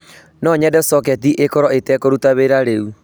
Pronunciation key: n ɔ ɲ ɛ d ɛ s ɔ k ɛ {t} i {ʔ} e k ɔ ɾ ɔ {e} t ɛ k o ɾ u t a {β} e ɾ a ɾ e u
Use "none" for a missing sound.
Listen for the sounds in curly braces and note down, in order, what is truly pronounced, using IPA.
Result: t, ʔ, e, β

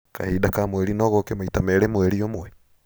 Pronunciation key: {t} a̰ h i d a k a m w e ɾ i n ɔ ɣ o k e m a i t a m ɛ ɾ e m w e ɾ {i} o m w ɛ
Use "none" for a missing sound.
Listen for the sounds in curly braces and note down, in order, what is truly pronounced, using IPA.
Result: k, i

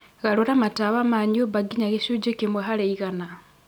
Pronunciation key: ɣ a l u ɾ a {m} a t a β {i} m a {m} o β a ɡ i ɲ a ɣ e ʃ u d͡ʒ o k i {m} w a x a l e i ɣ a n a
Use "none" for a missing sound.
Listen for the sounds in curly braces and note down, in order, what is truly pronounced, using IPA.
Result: m, a, ɲ, m

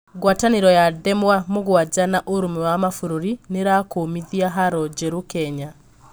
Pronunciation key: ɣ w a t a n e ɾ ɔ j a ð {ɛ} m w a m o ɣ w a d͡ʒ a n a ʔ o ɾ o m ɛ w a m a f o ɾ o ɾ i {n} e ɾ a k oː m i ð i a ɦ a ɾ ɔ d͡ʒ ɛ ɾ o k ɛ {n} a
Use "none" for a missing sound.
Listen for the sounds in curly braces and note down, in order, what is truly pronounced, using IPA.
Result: ɛ, n, ɲ

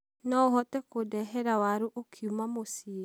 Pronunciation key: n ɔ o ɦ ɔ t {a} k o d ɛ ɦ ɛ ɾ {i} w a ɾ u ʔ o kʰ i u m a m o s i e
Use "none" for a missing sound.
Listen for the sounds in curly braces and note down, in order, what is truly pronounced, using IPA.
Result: ɛ, a

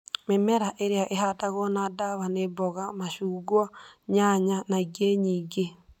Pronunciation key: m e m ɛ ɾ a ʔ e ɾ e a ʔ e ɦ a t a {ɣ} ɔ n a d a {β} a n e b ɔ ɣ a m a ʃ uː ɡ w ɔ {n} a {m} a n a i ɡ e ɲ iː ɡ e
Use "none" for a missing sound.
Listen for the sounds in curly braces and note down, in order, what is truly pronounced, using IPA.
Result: ɣ, β, ɲ, ɲ

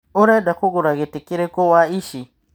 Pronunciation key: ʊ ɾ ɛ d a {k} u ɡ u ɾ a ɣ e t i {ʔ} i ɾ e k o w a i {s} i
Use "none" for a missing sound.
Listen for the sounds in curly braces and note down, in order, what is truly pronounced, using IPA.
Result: k, k, ʃ

